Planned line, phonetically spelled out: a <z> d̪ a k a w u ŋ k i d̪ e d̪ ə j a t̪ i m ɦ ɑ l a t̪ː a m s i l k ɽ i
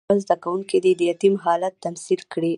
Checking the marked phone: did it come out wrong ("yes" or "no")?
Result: no